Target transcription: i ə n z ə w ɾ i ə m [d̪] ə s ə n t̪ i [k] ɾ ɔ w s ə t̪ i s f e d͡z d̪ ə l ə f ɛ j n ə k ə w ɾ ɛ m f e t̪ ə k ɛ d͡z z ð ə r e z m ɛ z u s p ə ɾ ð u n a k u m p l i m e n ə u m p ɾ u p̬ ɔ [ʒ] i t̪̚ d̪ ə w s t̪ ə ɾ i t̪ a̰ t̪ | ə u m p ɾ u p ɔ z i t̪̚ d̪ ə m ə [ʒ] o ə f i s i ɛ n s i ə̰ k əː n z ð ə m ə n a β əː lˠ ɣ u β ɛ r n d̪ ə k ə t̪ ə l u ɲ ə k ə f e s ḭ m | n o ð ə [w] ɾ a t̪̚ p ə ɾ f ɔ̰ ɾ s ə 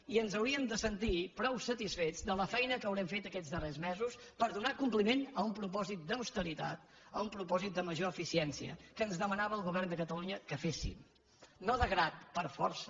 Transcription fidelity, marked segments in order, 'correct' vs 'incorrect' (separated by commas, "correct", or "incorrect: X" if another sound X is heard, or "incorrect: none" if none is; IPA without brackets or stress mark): correct, incorrect: p, incorrect: z, correct, incorrect: ɣ